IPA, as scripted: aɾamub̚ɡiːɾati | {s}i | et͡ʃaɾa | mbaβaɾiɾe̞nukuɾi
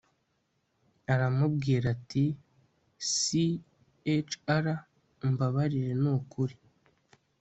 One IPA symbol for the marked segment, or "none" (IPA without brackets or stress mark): s